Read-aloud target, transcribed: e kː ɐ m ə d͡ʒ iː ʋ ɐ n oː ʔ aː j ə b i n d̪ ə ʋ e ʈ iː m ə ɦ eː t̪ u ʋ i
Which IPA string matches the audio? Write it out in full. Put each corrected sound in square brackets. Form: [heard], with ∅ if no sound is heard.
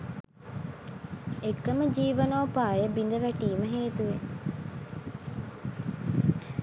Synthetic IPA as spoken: e kː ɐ m ə d͡ʒ iː ʋ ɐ n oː [p] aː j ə b i n d̪ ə ʋ [æ] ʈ iː m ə ɦ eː t̪ u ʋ [e]